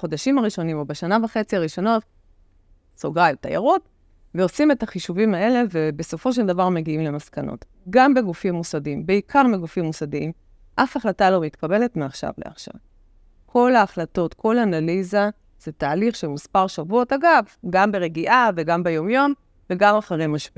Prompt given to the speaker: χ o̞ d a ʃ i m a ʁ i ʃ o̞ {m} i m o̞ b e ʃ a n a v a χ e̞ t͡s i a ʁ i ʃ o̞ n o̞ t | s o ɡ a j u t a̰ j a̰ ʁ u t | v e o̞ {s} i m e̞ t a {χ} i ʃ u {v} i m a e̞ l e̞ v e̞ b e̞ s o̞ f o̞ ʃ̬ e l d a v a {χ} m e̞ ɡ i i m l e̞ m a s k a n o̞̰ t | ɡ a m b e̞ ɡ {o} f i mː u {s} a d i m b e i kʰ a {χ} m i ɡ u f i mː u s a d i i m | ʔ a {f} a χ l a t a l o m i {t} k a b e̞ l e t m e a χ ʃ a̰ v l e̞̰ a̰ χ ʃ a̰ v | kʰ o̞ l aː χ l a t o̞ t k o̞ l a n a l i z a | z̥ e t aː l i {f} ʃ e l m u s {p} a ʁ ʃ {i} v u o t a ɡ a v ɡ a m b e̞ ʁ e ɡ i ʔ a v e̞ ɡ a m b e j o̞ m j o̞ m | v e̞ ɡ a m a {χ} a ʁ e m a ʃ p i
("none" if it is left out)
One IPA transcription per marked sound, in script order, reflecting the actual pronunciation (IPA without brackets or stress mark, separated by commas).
n, s, χ, v, ʁ, u, s, ʁ, f, t, χ, p, a, χ